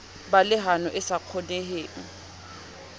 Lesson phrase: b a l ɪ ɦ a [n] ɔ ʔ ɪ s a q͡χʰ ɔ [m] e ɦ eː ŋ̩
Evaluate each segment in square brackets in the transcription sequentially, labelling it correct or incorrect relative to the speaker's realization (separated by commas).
correct, incorrect